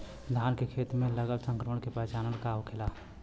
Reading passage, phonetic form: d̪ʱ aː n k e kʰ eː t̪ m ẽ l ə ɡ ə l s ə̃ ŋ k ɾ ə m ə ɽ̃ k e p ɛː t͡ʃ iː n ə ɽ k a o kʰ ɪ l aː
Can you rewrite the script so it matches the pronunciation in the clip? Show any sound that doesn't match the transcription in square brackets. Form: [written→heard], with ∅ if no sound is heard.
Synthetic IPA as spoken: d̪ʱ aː n k e kʰ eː t̪ m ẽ l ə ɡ ə l s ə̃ ŋ k ɾ ə m ə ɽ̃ k e p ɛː t͡ʃ [iː→aː] n ə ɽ k a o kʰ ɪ l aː